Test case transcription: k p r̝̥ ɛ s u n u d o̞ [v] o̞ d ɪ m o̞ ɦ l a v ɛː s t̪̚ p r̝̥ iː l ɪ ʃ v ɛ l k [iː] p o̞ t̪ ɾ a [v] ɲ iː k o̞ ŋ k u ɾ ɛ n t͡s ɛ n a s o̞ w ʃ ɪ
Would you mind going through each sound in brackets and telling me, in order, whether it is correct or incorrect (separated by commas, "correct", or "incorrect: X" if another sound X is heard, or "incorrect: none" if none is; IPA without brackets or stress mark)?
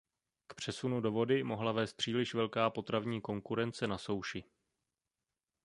correct, incorrect: aː, correct